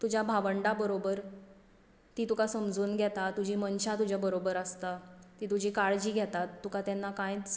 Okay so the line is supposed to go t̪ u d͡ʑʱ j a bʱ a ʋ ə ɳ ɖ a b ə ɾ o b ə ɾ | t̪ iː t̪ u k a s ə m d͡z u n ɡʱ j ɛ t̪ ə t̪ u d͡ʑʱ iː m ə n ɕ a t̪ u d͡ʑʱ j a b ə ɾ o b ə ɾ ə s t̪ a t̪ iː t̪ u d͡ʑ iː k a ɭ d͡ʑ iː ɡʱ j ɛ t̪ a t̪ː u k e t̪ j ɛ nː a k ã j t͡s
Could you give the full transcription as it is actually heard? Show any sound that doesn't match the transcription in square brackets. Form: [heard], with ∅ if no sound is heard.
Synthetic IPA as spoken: t̪ u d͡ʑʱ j a bʱ a ʋ ə ɳ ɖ a b ə ɾ o b ə ɾ | t̪ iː t̪ u k a s ə m d͡z [uː] n ɡʱ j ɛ t̪ [a] t̪ u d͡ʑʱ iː m ə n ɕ a t̪ u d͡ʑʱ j a b ə ɾ o b ə ɾ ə s t̪ a t̪ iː t̪ u d͡ʑ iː k a ɭ d͡ʑ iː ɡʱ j ɛ t̪ a t̪ː u k [a] t̪ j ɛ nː a k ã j t͡s